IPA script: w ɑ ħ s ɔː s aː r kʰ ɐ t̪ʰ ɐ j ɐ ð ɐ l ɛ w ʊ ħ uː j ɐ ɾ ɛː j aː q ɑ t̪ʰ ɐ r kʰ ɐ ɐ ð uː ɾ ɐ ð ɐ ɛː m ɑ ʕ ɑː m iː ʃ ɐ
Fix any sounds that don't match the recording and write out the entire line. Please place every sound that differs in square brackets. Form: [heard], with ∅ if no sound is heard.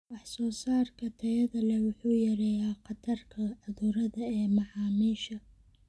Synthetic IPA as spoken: w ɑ ħ s ɔː s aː r kʰ ɐ t̪ʰ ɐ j ɐ ð ɐ l ɛ w ʊ ħ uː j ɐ ɾ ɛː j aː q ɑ t̪ʰ ɐ r kʰ ɐ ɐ ð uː ɾ ɐ ð ɐ ɛː m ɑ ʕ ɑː m iː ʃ ɐ